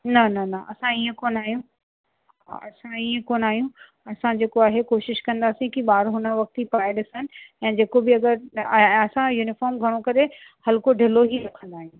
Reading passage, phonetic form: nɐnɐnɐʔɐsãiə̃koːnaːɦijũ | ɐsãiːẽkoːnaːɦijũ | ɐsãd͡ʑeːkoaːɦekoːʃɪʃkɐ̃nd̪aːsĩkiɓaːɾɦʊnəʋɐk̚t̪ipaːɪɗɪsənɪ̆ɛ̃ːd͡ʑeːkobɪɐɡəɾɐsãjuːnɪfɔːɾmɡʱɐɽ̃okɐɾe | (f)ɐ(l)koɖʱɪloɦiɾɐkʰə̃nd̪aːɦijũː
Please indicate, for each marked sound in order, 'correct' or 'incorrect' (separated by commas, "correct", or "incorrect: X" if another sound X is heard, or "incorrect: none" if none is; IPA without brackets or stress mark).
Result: incorrect: h, correct